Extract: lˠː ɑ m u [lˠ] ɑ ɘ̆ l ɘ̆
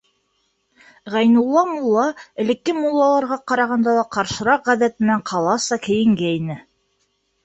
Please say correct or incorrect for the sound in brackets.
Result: incorrect